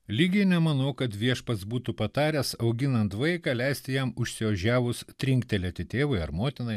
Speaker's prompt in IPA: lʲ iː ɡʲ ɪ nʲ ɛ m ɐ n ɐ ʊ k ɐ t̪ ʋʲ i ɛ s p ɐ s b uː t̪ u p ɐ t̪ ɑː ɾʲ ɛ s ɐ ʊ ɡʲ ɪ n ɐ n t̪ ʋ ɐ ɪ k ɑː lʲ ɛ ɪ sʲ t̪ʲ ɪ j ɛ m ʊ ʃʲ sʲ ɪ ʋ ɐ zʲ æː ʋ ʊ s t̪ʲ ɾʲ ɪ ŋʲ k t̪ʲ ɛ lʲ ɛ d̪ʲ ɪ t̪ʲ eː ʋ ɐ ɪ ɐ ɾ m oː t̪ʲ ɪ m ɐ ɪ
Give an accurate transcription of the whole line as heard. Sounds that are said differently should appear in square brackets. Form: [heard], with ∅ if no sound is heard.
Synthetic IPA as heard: lʲ iː ɡʲ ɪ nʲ ɛ m ɐ n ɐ ʊ k ɐ t̪ ʋʲ i ɛ [ʃ] p ɐ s b uː t̪ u p ɐ t̪ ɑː ɾʲ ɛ s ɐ ʊ ɡʲ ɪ n ɐ n t̪ ʋ ɐ ɪ k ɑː lʲ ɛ ɪ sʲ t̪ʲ ɪ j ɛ m ʊ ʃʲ sʲ ɪ ʋ ɐ [ʒʲ] æː ʋ ʊ s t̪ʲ ɾʲ ɪ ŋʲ k t̪ʲ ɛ lʲ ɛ [t̪ʲ] ɪ t̪ʲ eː ʋ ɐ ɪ ɐ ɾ m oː t̪ʲ ɪ [n] ɐ ɪ